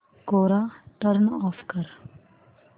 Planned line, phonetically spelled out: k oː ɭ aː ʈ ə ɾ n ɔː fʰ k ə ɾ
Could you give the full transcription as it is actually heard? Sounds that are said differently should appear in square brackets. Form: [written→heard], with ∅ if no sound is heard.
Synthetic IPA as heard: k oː [ɭ→ɾ] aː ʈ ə ɾ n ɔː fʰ k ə ɾ